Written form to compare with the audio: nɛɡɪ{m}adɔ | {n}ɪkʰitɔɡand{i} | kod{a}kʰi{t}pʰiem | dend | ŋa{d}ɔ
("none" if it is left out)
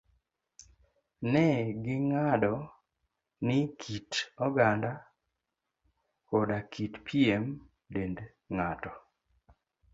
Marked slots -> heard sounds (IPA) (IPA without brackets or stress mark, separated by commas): ŋ, n, a, a, t, t